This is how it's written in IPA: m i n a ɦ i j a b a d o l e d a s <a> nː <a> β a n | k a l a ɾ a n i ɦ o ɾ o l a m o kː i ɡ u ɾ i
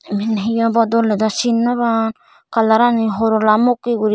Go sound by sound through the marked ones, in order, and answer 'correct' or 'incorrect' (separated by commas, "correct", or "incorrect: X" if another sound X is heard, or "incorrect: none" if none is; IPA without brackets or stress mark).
incorrect: i, correct